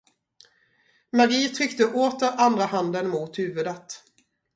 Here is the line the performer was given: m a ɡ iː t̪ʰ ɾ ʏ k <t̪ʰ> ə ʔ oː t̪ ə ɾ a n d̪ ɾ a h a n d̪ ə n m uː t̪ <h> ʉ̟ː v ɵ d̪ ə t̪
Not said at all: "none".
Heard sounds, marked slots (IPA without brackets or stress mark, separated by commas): t̪, h